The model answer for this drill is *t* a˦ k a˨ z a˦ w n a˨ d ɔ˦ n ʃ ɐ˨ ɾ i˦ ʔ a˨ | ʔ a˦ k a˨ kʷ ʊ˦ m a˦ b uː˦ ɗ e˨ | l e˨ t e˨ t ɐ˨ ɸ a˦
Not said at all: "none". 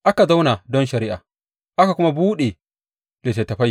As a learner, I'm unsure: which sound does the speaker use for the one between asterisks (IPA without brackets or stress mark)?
ʔ